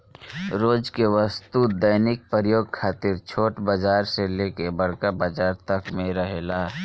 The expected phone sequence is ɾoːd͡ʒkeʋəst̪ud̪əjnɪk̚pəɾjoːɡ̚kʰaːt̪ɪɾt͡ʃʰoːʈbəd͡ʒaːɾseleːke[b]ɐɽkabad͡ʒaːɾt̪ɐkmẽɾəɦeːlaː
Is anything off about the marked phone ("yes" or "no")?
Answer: no